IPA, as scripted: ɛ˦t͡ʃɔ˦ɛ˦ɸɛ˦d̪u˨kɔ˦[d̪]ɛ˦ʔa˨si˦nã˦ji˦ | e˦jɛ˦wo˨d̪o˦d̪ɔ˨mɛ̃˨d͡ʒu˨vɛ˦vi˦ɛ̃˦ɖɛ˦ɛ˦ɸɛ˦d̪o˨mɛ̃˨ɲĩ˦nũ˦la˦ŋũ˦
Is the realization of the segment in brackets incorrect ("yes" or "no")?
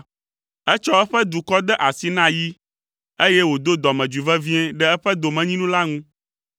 no